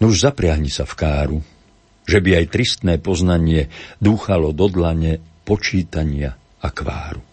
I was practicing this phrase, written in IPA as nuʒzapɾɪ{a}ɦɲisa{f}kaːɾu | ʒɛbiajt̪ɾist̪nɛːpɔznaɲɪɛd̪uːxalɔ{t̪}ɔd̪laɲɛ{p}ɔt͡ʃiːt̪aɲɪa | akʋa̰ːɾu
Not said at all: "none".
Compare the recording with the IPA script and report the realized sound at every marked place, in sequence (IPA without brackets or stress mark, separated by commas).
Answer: a, f, d̪, p